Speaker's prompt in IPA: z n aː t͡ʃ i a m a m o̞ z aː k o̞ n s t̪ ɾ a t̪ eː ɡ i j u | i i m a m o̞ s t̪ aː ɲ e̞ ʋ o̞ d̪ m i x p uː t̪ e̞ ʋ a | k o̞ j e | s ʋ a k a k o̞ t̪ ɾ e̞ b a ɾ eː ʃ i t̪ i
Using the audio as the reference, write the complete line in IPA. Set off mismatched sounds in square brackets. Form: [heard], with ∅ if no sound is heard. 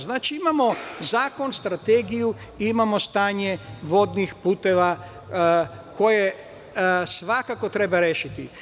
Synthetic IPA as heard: z n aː t͡ʃ i [i] m a m o̞ z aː k o̞ n s t̪ ɾ a t̪ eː ɡ i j u | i i m a m o̞ s t̪ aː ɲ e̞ ʋ o̞ d̪ [n] i x p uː t̪ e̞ ʋ a | k o̞ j e | s ʋ a k a k o̞ t̪ ɾ e̞ b a ɾ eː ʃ i t̪ i

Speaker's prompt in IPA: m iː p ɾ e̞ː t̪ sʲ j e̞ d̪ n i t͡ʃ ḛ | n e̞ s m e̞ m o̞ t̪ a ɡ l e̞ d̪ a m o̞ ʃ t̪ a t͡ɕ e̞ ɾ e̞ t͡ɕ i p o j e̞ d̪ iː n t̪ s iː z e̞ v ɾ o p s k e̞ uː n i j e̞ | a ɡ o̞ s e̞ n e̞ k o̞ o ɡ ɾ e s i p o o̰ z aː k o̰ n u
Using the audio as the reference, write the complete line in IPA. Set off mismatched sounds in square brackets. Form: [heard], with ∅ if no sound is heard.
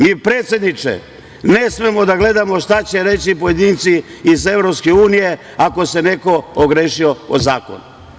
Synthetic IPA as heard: m iː p ɾ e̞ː t̪ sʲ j e̞ d̪ n i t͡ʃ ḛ | n e̞ s m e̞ m o̞ [d̪] a ɡ l e̞ d̪ a m o̞ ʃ t̪ a t͡ɕ e̞ ɾ e̞ t͡ɕ i p o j e̞ d̪ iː n t̪ s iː z e̞ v ɾ o p s k e̞ uː n i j e̞ | a [k] o̞ s e̞ n e̞ k o̞ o ɡ ɾ e [ʃ] i [∅] o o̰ z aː k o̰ n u

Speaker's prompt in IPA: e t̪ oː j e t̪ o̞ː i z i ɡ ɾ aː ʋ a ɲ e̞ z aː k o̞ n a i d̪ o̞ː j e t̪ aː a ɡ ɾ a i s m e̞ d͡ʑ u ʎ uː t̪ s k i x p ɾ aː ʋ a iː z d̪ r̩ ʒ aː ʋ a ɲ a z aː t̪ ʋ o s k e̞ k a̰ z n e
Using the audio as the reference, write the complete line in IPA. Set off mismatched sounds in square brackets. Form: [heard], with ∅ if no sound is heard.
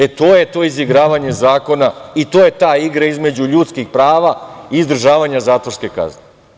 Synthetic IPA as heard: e t̪ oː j e t̪ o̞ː i z i ɡ ɾ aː ʋ a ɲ e̞ z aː k o̞ n a i [t̪] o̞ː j e t̪ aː [i] ɡ ɾ a i [z] m e̞ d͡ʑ u ʎ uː t̪ s k i x p ɾ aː ʋ a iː z d̪ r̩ ʒ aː ʋ a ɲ a z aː t̪ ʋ o s k e̞ k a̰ z n e

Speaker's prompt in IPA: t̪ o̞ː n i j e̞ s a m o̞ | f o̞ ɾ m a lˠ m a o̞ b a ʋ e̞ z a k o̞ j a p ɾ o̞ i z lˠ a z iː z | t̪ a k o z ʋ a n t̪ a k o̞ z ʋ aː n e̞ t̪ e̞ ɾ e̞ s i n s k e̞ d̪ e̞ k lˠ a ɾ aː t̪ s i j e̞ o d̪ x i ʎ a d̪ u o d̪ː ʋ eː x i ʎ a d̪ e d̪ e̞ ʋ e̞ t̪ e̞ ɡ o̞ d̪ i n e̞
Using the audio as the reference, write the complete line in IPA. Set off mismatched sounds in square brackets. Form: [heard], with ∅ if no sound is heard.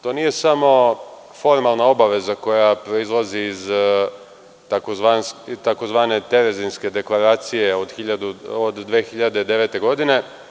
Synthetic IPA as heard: t̪ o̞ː n i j e̞ s a m o̞ | f o̞ ɾ m a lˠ [n] a o̞ b a ʋ e̞ z a k o̞ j a p ɾ o̞ i z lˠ a z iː z | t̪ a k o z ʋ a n t̪ a k o̞ z ʋ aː n e̞ t̪ e̞ ɾ e̞ [z] i n s k e̞ d̪ e̞ k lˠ a ɾ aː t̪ s i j e̞ o d̪ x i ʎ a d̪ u o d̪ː ʋ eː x i ʎ a d̪ e d̪ e̞ ʋ e̞ t̪ e̞ ɡ o̞ d̪ i n e̞

